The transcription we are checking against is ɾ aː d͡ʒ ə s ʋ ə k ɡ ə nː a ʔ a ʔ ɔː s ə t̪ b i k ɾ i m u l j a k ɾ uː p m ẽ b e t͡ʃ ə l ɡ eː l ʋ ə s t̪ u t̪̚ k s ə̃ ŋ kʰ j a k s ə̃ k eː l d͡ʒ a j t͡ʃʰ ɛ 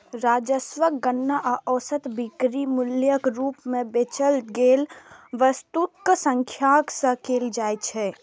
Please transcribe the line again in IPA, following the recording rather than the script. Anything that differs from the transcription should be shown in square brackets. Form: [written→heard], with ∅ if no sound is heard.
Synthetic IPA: ɾ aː d͡ʒ ə s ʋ ə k ɡ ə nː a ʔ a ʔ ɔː s ə t̪ b i k ɾ i m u l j [a→ə] k ɾ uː p m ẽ b e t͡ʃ ə l ɡ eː l ʋ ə s t̪ u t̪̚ k s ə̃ ŋ kʰ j a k s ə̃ k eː l d͡ʒ a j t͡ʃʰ ɛ